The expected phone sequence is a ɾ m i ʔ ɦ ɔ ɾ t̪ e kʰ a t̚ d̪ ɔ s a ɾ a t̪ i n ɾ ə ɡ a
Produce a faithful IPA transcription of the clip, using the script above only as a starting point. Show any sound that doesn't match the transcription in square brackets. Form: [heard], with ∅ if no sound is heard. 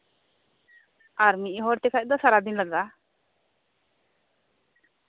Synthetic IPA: a ɾ m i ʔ ɦ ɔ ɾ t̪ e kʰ a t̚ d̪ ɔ s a ɾ a [d̪] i n [l] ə ɡ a